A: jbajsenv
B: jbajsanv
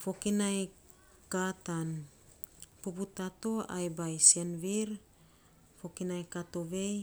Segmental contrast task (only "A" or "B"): A